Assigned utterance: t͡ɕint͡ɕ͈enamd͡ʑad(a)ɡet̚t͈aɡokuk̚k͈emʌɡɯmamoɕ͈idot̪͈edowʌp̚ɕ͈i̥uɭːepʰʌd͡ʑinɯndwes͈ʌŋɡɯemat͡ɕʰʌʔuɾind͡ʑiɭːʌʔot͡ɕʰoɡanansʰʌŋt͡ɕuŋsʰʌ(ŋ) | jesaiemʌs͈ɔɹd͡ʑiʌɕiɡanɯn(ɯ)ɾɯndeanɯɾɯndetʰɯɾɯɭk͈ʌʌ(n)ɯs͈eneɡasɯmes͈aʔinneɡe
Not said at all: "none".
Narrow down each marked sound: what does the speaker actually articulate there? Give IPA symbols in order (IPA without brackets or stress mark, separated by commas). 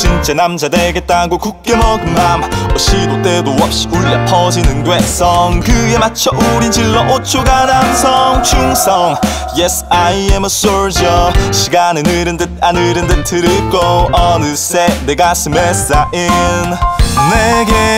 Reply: e, ŋ, ɯ, n